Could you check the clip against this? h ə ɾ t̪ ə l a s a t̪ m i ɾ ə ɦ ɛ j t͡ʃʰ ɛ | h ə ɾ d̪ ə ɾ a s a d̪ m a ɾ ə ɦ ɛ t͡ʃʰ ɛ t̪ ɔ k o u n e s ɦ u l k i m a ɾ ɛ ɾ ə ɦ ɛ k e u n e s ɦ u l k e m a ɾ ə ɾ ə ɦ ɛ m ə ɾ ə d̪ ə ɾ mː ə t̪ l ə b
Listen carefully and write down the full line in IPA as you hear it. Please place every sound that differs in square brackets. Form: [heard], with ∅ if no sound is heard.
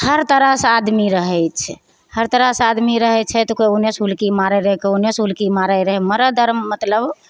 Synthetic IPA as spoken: h ə ɾ t̪ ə [ɾ] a s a [d̪] m i ɾ ə ɦ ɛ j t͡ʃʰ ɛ | h ə ɾ [t̪] ə ɾ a s a d̪ m [i] ɾ ə ɦ ɛ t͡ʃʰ ɛ t̪ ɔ k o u n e s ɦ u l k i m a ɾ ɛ ɾ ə ɦ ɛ k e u n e s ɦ u l k [i] m a ɾ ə ɾ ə ɦ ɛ m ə ɾ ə d̪ ə ɾ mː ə t̪ l ə b